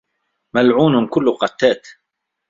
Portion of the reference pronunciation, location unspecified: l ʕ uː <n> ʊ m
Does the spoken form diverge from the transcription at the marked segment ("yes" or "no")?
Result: no